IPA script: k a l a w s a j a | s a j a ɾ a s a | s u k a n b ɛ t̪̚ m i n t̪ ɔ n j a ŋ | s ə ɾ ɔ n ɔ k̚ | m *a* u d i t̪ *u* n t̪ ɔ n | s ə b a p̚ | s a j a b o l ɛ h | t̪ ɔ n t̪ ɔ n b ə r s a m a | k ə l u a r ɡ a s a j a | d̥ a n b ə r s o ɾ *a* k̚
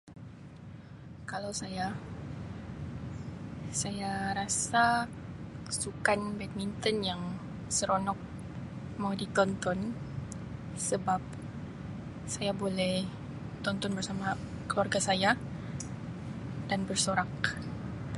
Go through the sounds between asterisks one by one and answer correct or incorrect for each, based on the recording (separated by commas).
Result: correct, incorrect, correct